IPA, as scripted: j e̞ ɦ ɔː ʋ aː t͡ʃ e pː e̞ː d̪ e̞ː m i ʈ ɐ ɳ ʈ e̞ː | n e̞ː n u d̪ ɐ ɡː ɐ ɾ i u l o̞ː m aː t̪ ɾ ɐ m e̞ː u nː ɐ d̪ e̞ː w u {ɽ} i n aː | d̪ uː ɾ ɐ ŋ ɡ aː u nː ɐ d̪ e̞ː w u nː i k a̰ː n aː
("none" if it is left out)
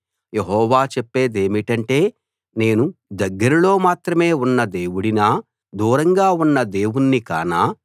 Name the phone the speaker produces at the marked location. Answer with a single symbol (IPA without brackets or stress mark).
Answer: ɽ